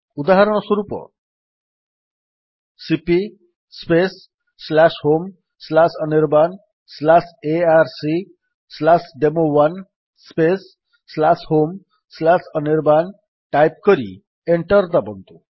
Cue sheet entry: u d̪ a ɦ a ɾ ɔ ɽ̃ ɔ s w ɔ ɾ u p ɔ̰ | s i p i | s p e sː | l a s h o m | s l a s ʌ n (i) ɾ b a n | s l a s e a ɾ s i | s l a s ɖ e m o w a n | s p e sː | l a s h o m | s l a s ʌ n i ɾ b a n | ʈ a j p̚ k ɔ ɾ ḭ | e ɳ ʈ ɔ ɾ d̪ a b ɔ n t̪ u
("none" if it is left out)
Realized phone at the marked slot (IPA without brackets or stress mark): i